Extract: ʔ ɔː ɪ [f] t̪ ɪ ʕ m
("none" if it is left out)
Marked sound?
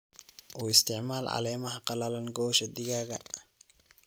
s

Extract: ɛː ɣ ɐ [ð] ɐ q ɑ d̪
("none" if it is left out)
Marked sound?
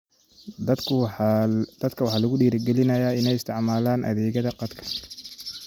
ð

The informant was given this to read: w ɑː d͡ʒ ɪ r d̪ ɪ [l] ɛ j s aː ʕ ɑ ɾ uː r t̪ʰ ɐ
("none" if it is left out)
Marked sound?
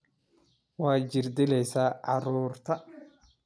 l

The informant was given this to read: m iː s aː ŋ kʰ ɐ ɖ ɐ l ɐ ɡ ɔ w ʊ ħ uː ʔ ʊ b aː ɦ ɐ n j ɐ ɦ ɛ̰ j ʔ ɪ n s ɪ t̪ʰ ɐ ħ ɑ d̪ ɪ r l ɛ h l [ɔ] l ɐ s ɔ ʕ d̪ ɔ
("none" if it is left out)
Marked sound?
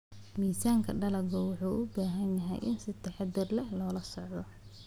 ɔː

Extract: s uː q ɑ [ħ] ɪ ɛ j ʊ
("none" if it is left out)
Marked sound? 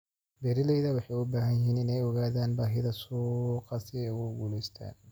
s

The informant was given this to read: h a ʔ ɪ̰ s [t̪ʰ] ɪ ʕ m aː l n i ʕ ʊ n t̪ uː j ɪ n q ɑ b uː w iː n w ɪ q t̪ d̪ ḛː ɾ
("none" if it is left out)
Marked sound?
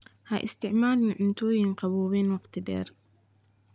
t̪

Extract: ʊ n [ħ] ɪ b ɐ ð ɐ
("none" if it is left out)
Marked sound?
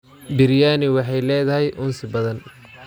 s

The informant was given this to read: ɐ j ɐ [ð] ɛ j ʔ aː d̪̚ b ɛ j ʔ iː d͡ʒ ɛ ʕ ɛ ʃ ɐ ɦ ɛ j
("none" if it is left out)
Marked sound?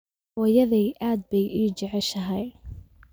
ð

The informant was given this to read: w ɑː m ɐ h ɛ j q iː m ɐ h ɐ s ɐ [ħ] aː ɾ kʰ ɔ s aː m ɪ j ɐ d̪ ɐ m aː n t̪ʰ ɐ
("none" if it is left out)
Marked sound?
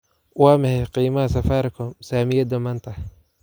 f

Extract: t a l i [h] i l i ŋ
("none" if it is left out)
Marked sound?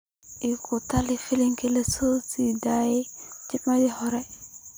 f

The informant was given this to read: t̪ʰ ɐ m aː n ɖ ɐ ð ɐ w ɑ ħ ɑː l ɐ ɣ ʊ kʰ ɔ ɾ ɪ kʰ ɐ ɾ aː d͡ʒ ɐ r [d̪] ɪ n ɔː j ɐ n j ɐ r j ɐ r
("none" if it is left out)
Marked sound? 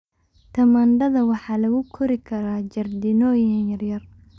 d̪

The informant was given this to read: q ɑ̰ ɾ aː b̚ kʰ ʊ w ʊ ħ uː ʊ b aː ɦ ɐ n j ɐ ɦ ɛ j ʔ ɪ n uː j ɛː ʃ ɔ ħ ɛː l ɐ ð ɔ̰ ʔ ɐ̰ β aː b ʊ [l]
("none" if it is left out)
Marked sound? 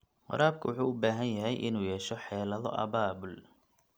l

